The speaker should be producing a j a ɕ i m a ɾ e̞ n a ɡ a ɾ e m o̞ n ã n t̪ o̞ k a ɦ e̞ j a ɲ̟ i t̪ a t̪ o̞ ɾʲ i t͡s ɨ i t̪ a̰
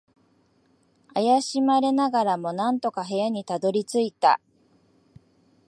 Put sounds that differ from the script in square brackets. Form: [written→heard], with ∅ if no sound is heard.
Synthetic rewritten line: a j a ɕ i m a ɾ e̞ n a ɡ a ɾ [e→a] m o̞ n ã n t̪ o̞ k a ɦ e̞ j a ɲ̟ i t̪ a [t̪→d̪] o̞ ɾʲ i t͡s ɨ i t̪ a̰